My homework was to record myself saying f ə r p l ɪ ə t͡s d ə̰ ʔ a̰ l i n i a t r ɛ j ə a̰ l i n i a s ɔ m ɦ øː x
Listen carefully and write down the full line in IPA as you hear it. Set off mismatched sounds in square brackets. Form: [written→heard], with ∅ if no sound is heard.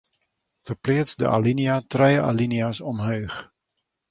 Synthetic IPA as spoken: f ə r p l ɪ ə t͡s d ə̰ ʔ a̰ l i n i a t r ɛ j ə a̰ l i n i a s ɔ m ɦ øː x